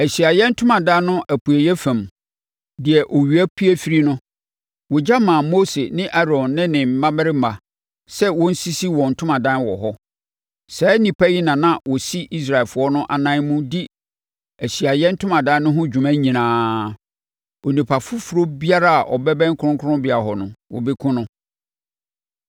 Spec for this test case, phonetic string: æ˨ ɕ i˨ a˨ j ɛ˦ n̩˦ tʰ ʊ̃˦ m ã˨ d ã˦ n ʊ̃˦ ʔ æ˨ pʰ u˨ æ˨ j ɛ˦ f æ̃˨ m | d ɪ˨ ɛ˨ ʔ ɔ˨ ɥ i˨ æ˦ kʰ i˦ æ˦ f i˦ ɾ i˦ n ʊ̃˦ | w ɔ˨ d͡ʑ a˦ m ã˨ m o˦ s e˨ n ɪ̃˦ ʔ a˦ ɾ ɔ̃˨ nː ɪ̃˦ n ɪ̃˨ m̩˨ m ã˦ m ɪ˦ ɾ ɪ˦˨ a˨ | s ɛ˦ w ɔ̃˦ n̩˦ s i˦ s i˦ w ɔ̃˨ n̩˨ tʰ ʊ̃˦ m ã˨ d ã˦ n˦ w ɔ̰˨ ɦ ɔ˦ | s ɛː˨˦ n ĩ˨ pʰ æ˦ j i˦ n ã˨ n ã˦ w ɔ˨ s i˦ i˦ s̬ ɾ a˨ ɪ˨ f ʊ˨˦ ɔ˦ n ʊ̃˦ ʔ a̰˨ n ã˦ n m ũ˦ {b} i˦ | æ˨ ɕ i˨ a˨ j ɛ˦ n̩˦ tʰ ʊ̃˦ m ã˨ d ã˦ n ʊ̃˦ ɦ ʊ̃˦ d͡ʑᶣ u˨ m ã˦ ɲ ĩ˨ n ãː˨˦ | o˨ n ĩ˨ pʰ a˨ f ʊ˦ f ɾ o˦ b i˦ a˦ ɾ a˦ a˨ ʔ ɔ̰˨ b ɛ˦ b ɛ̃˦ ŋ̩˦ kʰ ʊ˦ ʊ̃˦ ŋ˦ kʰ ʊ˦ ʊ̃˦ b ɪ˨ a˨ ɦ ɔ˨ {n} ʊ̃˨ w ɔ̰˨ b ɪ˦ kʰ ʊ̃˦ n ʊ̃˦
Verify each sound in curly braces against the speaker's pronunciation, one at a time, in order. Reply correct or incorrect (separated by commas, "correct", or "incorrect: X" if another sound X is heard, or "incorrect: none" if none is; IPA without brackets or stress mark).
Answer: incorrect: d, correct